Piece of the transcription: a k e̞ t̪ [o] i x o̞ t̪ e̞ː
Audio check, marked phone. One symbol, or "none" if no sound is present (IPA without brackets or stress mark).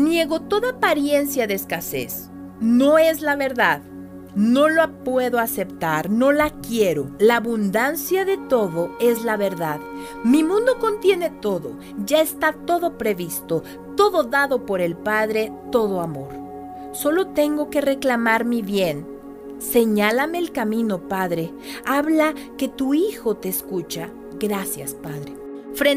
u